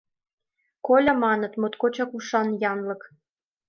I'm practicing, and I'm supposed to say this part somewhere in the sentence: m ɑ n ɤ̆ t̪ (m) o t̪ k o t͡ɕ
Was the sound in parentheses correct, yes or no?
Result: yes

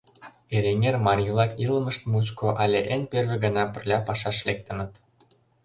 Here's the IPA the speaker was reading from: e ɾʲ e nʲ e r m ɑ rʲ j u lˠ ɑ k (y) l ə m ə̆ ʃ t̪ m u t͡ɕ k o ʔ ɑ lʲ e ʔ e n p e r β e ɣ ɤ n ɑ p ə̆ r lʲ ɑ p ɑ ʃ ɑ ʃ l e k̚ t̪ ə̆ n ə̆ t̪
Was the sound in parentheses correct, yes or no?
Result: no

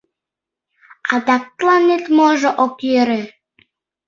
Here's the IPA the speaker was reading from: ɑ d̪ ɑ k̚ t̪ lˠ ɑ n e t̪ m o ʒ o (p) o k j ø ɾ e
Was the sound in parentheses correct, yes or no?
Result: no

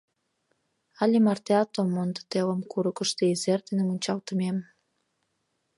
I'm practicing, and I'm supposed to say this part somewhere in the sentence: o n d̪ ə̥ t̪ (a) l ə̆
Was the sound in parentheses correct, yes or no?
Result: no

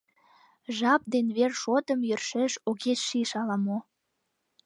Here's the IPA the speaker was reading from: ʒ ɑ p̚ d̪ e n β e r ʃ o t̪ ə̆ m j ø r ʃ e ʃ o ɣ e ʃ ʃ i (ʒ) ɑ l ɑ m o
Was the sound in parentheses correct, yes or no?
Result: no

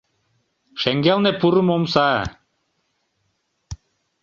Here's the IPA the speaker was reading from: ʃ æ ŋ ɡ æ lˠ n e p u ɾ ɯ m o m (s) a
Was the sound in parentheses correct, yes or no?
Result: yes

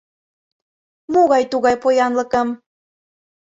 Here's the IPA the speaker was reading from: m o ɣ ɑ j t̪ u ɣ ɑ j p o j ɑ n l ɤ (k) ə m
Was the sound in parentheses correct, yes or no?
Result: yes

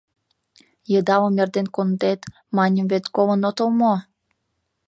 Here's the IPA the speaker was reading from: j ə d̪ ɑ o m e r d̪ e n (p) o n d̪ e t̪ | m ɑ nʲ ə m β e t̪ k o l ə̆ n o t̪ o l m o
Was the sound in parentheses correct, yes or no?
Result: no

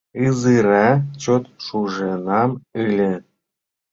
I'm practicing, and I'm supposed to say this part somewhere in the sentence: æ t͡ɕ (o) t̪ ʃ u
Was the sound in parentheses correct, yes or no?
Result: yes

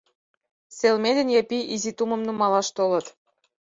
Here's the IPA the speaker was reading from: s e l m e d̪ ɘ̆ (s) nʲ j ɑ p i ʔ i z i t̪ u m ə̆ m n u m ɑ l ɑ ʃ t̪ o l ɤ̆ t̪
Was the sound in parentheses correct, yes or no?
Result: no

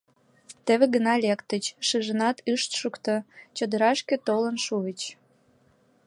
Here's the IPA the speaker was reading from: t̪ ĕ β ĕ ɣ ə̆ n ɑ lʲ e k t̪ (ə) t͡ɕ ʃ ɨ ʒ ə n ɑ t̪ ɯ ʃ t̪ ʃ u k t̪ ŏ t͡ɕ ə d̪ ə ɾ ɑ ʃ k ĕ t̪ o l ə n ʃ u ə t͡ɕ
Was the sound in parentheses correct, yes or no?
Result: yes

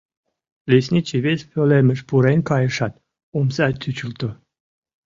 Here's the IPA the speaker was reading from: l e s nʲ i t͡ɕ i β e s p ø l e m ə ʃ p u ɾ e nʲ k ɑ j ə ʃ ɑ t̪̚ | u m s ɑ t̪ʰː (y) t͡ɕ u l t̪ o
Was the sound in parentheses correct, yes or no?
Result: yes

